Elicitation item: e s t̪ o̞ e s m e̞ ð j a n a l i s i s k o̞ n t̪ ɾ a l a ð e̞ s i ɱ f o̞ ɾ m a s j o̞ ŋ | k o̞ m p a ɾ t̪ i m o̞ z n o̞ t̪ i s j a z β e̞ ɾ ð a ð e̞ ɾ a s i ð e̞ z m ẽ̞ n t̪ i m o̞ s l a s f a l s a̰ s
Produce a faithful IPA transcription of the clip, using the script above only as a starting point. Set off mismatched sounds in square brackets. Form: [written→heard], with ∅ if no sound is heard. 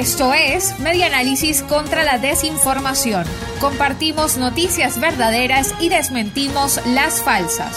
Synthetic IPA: e s t̪ o̞ e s m e̞ ð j a n a l i s i s k o̞ n t̪ ɾ a l a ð e̞ s i ɱ f o̞ ɾ m a s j o̞ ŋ | k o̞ m p a ɾ t̪ i m o̞ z n o̞ t̪ i s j a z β e̞ ɾ ð a ð e̞ ɾ a s i ð e̞ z m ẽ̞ n t̪ i m o̞ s l a s f a l s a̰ s